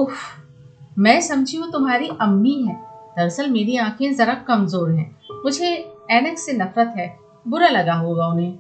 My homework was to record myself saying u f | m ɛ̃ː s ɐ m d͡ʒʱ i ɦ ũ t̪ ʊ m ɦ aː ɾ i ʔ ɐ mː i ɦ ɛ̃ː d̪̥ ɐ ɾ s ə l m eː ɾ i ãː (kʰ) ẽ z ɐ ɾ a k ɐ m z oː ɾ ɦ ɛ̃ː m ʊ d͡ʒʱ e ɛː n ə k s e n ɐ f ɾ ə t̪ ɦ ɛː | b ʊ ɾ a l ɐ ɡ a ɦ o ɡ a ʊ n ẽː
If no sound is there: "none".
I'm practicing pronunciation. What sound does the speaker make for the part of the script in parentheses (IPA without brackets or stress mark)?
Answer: kʰ